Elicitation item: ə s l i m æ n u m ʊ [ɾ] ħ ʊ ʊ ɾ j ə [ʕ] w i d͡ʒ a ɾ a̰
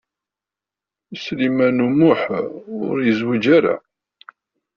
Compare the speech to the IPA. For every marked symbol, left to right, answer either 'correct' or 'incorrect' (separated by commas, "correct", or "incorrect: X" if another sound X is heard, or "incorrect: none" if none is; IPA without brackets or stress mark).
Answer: incorrect: none, incorrect: z